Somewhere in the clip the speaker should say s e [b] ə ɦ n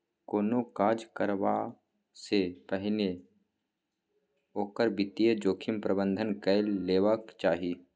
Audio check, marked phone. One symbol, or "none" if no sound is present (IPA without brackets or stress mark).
p